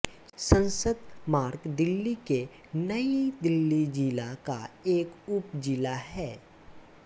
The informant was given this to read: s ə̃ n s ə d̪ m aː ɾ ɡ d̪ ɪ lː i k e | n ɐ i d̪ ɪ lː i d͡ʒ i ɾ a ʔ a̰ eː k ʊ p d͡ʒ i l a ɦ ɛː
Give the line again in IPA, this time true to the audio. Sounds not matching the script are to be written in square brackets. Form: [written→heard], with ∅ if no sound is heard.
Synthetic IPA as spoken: s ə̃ n s ə d̪ m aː ɾ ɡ d̪ ɪ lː i k e | n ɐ i d̪ ɪ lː i d͡ʒ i [ɾ→l] a [ʔ→k] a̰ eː k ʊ p d͡ʒ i l a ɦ ɛː